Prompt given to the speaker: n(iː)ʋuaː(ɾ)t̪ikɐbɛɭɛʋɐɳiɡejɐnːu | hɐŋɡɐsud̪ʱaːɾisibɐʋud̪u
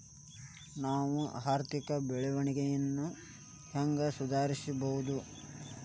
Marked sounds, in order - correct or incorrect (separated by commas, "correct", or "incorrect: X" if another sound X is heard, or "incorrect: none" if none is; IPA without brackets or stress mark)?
incorrect: aː, correct